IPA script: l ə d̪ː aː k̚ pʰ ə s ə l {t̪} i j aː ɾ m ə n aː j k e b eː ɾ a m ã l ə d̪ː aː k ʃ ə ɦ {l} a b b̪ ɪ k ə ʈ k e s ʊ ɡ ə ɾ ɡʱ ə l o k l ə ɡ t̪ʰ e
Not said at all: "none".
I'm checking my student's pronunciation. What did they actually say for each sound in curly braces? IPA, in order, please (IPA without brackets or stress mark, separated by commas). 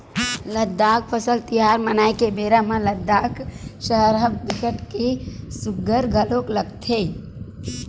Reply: t̪, ɾ